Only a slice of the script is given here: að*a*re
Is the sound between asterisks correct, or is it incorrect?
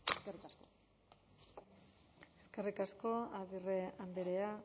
incorrect